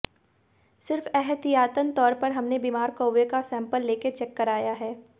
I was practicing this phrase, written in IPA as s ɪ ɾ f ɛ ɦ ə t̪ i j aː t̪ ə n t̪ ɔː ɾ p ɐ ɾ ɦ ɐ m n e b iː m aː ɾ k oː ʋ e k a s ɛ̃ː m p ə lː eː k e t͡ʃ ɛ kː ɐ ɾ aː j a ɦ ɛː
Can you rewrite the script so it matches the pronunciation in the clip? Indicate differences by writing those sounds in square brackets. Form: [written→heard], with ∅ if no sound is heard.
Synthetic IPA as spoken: s ɪ ɾ f ɛ ɦ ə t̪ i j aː t̪ ə n t̪ ɔː ɾ p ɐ ɾ ɦ ɐ m n e b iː m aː ɾ k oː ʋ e k a s ɛ̃ː m p ə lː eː k e t͡ʃ ɛ kː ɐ ɾ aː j a ɦ ɛː